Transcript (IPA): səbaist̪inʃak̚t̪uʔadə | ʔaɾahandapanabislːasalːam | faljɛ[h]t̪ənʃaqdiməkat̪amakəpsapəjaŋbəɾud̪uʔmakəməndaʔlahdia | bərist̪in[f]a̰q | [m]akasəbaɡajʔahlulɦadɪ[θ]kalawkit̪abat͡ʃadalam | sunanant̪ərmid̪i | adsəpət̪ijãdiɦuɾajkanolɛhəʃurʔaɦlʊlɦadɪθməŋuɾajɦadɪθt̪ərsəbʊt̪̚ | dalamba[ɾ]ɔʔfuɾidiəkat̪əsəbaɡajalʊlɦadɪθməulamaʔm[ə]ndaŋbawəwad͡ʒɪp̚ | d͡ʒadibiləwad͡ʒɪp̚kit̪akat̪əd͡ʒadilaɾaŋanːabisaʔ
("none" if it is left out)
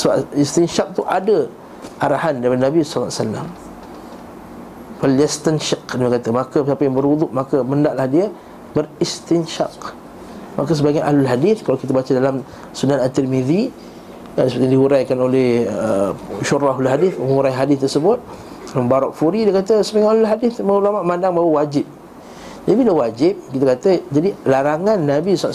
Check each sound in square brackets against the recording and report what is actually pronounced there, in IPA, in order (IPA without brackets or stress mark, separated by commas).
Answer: s, ʃ, m, θ, ɾ, a